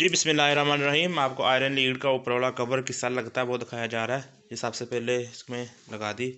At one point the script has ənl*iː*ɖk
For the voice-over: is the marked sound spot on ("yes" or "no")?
yes